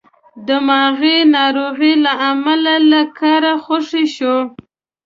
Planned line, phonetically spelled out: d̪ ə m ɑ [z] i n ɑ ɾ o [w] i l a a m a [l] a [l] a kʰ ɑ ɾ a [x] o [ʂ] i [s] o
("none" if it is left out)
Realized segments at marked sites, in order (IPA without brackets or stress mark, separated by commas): ɣ, ɣ, l, l, x, ʂ, ʃ